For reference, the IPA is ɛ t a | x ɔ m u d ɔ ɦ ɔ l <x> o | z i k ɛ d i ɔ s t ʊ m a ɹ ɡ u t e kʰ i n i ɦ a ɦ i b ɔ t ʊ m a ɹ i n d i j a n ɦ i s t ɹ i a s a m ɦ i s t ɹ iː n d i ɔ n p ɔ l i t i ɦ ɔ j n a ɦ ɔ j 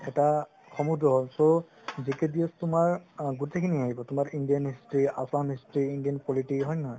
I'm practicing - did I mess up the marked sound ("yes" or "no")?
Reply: yes